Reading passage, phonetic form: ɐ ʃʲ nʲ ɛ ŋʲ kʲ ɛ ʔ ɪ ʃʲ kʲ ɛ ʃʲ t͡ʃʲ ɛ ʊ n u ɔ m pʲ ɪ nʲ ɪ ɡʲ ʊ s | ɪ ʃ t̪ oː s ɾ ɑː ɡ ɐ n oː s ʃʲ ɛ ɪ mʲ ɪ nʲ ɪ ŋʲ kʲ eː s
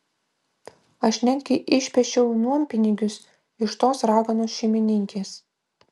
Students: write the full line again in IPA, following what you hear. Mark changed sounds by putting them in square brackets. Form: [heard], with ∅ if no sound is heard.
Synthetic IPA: ɐ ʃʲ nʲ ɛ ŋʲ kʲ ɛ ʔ ɪ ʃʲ [pʲ] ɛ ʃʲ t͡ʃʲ ɛ ʊ n u ɔ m pʲ ɪ nʲ ɪ ɡʲ ʊ s | ɪ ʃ t̪ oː s ɾ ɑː ɡ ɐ n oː s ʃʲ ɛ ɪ mʲ ɪ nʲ ɪ ŋʲ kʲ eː s